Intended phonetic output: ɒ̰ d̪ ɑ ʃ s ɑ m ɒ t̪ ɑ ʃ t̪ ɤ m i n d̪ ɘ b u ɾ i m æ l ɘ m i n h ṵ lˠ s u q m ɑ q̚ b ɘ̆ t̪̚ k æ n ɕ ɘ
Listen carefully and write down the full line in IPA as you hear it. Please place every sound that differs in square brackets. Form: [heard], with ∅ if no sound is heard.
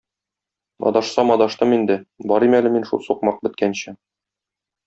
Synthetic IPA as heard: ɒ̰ d̪ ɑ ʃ s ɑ m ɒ [d̪] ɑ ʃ t̪ ɤ m i n d̪ ɘ b [ɒ] ɾ i m æ l ɘ m i n [ʃ] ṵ lˠ s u q m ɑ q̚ b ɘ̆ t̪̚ k æ n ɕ ɘ